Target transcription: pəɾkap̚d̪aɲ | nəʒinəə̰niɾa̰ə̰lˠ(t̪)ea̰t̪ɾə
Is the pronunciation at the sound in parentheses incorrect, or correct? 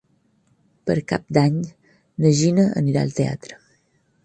correct